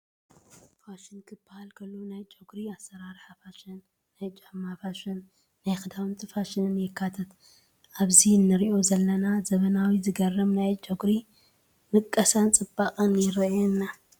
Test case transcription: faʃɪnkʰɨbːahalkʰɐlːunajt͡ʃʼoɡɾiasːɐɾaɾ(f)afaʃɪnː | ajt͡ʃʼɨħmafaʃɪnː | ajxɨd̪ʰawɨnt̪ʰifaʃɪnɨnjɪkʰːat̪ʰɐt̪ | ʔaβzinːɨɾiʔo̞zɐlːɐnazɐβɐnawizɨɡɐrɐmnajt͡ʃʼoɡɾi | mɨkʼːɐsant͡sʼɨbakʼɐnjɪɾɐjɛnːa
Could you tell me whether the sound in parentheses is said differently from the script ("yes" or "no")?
yes